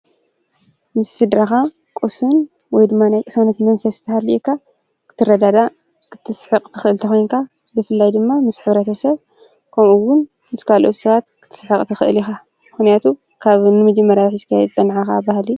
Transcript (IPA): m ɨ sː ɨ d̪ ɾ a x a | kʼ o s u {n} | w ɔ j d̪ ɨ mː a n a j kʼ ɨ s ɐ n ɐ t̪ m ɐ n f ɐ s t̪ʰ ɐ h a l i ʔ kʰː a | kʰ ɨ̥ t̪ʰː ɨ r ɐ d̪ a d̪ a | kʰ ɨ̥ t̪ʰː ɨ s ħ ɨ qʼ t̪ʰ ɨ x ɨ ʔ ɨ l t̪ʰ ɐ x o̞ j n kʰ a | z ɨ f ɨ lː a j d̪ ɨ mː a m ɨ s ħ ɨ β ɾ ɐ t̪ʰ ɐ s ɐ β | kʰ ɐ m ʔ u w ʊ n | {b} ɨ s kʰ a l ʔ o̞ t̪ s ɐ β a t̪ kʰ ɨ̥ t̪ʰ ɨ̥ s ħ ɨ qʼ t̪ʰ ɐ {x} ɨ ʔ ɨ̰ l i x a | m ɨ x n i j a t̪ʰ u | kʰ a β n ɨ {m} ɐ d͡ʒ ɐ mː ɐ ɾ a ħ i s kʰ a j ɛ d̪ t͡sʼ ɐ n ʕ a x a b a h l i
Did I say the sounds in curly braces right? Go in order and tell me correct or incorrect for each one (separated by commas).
correct, incorrect, correct, correct